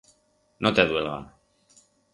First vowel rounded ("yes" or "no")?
yes